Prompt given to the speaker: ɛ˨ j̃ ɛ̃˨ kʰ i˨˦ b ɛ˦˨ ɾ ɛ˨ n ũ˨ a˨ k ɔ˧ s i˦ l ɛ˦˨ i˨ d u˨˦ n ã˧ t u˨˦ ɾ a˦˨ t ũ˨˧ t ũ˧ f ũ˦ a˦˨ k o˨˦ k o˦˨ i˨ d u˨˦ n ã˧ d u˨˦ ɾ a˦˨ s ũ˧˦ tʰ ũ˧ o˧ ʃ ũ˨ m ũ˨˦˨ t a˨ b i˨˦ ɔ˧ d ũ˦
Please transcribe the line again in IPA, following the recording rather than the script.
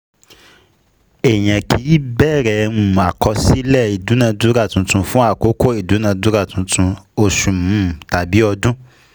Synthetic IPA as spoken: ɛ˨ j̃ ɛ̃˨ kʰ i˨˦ b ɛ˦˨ ɾ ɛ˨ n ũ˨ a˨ k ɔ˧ s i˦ l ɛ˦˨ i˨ d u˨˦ n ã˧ d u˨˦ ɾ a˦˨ t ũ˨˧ t ũ˧ f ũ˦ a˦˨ k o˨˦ k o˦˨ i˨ d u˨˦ n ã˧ d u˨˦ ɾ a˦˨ t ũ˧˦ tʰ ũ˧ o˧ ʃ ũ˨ m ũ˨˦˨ t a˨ b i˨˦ ɔ˧ d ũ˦

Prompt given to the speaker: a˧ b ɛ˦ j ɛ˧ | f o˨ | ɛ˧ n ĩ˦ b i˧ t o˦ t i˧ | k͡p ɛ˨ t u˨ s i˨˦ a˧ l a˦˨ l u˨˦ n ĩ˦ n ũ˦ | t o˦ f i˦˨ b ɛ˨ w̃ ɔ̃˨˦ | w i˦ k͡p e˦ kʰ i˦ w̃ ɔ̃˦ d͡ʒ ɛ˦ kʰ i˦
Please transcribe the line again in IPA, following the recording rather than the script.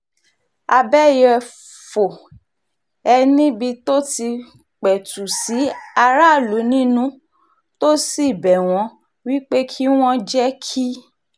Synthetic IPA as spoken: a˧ b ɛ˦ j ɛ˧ | f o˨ | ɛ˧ n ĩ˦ b i˧ t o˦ t i˧ | k͡p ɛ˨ t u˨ s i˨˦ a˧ ɾ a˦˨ l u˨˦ n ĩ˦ n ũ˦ | t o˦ s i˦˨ b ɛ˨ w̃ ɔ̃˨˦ | w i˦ k͡p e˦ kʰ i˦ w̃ ɔ̃˦ d͡ʒ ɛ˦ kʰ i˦

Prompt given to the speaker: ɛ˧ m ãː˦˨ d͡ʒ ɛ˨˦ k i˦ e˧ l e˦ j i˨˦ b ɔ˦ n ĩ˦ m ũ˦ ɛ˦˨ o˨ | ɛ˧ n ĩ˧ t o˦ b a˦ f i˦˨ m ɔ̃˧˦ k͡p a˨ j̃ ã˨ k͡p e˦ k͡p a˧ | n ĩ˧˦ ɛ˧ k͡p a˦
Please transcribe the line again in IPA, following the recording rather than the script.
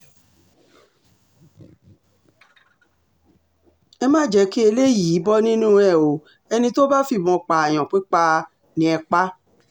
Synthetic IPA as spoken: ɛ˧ m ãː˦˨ d͡ʒ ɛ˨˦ k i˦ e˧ l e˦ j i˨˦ b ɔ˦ n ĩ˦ n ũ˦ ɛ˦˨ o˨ | ɛ˧ n ĩ˧ t o˦ b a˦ f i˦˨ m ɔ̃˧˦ k͡p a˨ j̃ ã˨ k͡p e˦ k͡p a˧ | n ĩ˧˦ ɛ˧ k͡p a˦

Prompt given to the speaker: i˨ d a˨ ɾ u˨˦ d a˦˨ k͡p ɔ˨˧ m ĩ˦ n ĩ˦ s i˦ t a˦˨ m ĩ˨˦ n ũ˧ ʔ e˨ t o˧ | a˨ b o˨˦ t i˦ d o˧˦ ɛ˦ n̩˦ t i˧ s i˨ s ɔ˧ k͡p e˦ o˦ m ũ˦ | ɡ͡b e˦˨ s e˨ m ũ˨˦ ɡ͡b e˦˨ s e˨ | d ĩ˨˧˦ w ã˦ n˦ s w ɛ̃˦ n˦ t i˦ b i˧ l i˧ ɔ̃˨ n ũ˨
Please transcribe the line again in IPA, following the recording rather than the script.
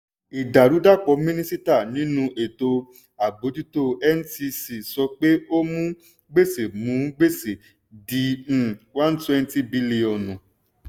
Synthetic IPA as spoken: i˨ d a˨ ɾ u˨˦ d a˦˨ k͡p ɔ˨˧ m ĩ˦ n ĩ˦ s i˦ t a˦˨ n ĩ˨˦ n ũ˧ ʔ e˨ t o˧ | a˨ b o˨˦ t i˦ t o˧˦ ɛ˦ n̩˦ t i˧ s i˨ s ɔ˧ k͡p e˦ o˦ m ũ˦ | ɡ͡b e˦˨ s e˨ m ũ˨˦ ɡ͡b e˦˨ s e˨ | d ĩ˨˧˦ w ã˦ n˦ t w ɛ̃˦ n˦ t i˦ b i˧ l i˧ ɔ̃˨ n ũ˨

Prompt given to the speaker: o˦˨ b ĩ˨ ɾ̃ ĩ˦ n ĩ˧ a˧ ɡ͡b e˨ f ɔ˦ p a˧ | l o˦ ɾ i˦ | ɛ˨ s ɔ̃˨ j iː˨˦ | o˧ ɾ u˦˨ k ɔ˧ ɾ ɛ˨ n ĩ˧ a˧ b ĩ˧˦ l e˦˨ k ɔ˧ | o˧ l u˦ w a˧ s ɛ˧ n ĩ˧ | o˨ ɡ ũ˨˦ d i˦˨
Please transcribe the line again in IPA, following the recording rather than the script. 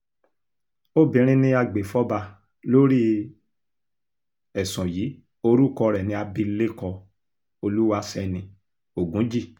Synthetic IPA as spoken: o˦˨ b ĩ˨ ɾ̃ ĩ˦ n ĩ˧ a˧ ɡ͡b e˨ f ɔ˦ b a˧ | l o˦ ɾ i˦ | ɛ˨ s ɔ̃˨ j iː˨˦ | o˧ ɾ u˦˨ k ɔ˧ ɾ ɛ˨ n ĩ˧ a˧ b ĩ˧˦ l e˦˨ k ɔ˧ | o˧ l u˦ w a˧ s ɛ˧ n ĩ˧ | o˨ ɡ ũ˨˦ d͡ʒ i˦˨

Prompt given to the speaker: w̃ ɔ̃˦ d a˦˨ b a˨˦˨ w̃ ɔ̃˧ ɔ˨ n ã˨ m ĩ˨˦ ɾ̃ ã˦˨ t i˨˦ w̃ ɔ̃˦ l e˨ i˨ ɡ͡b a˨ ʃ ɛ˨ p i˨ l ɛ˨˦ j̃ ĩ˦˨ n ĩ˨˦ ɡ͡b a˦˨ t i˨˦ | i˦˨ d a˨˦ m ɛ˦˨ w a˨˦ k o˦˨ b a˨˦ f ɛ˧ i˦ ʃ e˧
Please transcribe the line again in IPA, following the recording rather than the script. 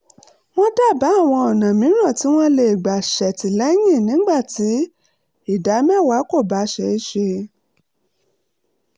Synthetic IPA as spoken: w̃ ɔ̃˦ d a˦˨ b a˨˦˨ w̃ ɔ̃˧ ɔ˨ n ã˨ m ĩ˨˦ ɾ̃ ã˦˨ t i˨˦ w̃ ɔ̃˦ l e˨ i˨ ɡ͡b a˨ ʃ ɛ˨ t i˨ l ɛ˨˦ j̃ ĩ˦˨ n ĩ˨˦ ɡ͡b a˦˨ t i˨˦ | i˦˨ d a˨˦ m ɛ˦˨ w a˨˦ k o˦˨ b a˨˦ ʃ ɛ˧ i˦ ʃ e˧

